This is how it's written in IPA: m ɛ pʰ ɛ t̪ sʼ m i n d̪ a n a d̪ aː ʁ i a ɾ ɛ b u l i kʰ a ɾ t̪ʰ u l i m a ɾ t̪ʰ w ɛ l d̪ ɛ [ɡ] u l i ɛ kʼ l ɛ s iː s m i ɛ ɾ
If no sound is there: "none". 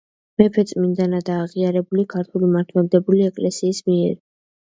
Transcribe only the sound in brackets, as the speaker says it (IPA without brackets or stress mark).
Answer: b